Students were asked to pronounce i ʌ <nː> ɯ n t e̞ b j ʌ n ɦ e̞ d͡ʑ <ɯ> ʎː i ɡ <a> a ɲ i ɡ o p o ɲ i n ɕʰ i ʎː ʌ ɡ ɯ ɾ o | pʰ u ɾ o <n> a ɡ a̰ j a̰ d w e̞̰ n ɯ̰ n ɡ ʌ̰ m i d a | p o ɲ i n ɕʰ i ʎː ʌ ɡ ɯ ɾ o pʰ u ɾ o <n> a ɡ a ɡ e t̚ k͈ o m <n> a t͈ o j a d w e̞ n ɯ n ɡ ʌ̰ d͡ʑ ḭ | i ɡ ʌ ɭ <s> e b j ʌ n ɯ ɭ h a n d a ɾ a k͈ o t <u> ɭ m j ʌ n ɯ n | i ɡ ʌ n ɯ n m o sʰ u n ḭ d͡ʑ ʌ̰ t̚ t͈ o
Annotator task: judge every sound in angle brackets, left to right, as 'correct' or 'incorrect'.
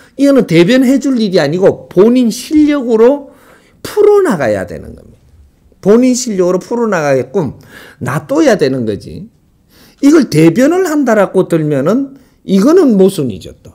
incorrect: n, incorrect: u, incorrect: i, correct, correct, correct, incorrect: t, incorrect: ɯ

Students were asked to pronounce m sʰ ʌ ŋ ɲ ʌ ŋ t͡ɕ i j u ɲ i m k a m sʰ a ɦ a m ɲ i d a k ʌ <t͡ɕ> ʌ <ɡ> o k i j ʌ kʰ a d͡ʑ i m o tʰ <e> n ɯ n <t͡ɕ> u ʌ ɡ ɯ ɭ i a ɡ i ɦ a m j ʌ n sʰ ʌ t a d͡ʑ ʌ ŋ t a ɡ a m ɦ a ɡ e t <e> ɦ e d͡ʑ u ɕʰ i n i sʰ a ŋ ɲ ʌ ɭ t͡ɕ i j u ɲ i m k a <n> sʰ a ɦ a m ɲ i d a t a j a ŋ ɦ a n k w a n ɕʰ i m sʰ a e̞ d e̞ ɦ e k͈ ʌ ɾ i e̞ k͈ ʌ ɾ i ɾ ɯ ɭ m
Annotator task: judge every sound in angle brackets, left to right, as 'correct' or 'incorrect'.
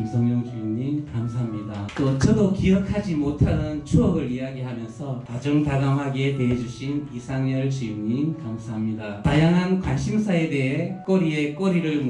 incorrect: t͡ɕʰ, incorrect: d, incorrect: a, incorrect: t͡ɕʰ, correct, incorrect: m

